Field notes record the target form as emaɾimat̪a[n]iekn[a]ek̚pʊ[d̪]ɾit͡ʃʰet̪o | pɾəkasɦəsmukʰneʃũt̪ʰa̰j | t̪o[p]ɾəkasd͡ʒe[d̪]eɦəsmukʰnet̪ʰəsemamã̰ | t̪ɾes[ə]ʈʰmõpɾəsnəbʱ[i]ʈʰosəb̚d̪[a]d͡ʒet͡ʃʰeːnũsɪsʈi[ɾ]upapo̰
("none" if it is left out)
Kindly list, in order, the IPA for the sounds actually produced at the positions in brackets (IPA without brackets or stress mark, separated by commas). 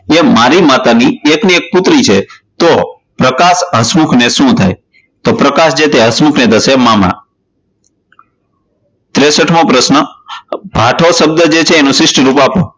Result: n, i, t̪, p, t̪, ə, a, ə, ɾ